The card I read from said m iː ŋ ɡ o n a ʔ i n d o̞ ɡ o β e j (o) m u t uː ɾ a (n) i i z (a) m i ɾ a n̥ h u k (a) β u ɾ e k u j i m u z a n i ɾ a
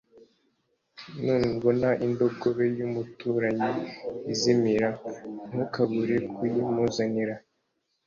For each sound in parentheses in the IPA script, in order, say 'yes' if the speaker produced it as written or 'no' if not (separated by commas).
no, no, no, yes